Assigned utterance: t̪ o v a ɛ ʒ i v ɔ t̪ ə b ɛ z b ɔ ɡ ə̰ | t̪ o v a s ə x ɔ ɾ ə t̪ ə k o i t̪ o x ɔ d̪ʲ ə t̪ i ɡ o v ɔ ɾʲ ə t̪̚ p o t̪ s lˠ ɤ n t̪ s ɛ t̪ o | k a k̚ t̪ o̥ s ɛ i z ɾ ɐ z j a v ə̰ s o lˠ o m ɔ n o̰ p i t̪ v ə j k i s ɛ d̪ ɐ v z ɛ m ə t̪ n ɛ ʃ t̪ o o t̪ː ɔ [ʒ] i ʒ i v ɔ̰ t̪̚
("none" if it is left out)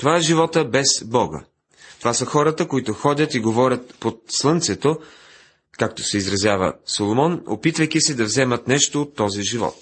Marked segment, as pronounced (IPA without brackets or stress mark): z